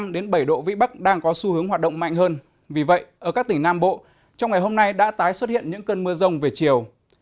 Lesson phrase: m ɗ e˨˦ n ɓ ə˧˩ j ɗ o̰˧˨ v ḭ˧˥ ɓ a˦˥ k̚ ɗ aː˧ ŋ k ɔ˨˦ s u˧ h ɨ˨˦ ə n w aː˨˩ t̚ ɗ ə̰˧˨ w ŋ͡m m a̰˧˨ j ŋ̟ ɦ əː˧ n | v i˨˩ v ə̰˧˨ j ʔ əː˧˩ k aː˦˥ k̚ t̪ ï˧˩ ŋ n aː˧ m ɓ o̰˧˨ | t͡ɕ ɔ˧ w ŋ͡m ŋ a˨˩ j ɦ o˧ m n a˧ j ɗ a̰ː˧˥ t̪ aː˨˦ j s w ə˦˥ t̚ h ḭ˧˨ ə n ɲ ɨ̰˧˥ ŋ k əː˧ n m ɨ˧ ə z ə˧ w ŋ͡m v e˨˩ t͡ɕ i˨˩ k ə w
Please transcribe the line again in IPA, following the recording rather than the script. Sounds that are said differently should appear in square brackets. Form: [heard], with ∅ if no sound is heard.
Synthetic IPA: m ɗ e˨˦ n ɓ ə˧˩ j ɗ o̰˧˨ v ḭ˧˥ ɓ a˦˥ k̚ ɗ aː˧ ŋ k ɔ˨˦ s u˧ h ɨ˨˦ ə [ŋ] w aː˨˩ t̚ ɗ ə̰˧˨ w ŋ͡m m a̰˧˨ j ŋ̟ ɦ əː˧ n | v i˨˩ v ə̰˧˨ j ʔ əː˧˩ k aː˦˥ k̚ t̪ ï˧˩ ŋ n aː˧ m ɓ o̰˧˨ | t͡ɕ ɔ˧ w ŋ͡m ŋ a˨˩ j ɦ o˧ m n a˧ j ɗ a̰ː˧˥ t̪ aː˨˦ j s w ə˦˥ t̚ h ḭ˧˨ ə n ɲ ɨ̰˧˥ ŋ k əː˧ n m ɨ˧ ə z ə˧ w ŋ͡m v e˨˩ t͡ɕ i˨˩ [∅] ə w